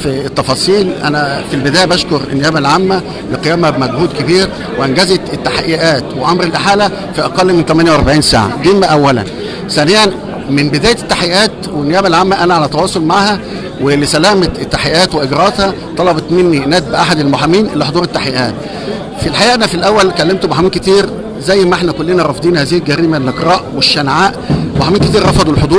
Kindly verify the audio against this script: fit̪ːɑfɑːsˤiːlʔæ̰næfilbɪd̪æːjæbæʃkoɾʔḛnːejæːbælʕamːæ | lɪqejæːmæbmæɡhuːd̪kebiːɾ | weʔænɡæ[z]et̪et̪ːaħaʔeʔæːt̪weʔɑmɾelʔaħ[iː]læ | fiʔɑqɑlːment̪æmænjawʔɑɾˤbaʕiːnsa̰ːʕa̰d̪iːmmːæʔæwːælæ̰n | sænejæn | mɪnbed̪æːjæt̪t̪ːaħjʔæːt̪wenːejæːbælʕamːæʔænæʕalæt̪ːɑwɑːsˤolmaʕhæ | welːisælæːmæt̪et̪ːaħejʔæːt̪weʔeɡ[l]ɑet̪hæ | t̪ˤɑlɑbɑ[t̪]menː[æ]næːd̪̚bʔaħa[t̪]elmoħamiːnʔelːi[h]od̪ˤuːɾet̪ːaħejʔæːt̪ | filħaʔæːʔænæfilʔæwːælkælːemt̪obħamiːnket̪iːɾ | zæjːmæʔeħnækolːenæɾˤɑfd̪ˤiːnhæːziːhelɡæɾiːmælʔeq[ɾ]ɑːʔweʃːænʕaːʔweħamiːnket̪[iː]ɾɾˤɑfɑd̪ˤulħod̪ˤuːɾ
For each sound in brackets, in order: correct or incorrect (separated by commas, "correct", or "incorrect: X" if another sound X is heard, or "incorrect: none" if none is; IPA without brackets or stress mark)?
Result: correct, incorrect: aː, incorrect: ɾ, correct, incorrect: i, incorrect: d̪, incorrect: ħ, correct, correct